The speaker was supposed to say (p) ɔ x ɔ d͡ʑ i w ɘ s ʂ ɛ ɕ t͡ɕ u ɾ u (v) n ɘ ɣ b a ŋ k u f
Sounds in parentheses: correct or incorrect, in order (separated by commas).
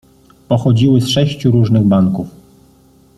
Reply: correct, incorrect